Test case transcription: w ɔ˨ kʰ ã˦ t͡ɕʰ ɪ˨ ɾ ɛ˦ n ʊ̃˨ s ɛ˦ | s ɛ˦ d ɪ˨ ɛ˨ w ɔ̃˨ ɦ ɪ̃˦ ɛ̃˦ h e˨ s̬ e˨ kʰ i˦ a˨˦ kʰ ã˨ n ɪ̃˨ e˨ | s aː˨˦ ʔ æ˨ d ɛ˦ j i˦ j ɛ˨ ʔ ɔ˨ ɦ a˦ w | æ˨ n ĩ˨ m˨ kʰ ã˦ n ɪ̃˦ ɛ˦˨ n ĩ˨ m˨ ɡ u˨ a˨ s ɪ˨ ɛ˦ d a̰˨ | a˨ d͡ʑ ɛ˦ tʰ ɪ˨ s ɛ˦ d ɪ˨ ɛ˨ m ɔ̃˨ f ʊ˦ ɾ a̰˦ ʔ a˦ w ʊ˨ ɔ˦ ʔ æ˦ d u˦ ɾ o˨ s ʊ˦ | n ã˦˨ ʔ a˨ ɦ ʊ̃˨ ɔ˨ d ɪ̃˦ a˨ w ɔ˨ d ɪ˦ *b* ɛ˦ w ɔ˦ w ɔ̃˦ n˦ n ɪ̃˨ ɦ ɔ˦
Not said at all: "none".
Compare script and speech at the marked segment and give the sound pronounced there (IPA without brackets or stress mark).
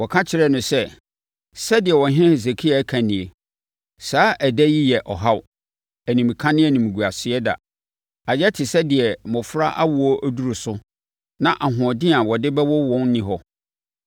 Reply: b